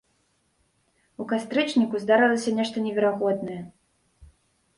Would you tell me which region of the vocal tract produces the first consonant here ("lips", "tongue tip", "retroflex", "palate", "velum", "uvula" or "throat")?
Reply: velum